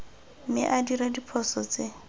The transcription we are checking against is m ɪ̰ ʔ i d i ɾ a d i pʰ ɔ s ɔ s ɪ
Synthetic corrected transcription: m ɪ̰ ʔ a d i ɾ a d i pʰ ɔ s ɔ t͡s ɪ

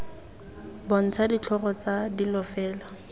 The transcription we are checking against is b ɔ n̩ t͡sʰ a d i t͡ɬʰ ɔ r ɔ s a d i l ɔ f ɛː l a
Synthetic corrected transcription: b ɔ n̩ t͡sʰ a d i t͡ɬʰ ɔ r ɔ t͡s a d i l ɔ f ɛː l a

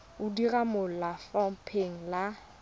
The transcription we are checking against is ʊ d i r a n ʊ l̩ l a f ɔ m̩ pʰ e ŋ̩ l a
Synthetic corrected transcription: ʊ d i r a m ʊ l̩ l a f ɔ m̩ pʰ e ŋ̩ l a

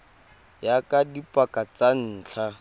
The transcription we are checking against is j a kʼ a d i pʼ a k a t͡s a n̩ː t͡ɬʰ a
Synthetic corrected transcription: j a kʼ a d i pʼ a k a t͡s a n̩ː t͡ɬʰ a

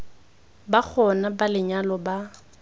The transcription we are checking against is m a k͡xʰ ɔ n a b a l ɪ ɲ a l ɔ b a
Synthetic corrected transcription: b a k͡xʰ ɔ n a b a l ɪ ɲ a l ɔ b a

